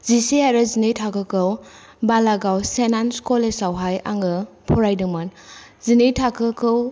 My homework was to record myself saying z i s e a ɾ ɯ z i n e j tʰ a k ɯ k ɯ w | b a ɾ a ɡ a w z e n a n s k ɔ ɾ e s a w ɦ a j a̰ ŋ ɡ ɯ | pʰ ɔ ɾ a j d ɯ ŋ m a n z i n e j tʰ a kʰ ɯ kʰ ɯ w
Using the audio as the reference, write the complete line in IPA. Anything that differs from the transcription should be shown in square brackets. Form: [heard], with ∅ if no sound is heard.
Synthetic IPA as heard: z i s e a ɾ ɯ z i n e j tʰ a k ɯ k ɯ w | b a [l] a ɡ a w [s] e n a n s k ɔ [l] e s a w ɦ a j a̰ ŋ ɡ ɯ | pʰ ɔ ɾ a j d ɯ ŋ m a n z i n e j tʰ a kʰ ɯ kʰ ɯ w